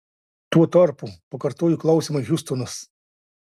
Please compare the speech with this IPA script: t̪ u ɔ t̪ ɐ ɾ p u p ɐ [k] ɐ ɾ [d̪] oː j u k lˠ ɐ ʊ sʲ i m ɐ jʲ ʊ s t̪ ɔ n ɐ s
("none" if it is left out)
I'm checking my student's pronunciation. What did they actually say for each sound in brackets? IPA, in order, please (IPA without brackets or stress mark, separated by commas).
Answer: k, t̪